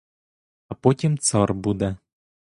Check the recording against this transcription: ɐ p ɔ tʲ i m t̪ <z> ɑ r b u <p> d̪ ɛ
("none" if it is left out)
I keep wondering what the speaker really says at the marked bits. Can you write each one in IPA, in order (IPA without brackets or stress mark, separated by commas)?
s, none